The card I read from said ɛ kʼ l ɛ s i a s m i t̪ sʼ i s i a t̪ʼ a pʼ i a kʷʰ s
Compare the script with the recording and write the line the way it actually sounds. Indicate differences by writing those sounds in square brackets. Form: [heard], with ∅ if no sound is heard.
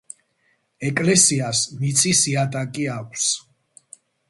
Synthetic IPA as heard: ɛ kʼ l ɛ s i a s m i t̪ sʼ i s i a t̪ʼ a [kʼ] i a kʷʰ s